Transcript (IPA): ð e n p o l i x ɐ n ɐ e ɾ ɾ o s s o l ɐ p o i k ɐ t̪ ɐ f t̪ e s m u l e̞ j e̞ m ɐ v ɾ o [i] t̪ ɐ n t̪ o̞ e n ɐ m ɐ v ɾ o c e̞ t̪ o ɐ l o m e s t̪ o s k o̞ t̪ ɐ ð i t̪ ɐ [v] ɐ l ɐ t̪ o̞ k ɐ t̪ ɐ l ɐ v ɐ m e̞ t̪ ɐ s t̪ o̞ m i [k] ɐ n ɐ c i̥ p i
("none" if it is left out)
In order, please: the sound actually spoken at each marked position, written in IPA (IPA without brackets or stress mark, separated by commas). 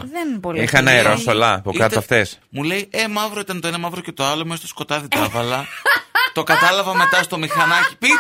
i, v, x